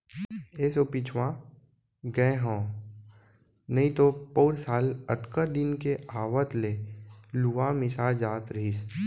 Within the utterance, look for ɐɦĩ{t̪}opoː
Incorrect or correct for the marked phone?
correct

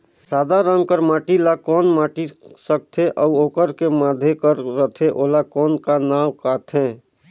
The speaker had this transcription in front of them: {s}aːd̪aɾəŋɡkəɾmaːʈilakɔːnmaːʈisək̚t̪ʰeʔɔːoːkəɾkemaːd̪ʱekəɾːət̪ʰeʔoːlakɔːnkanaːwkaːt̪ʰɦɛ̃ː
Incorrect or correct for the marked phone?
correct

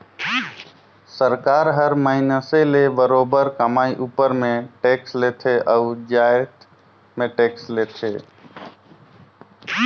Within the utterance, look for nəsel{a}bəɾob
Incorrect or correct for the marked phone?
incorrect: e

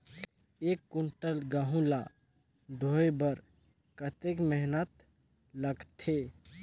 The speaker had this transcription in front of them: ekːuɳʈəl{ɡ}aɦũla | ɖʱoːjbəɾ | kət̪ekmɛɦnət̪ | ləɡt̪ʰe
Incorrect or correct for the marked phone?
correct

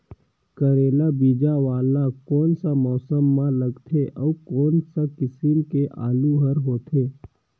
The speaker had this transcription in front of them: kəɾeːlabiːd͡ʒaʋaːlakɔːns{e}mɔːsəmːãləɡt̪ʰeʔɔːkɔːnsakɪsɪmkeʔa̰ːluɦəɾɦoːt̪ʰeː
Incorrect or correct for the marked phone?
incorrect: a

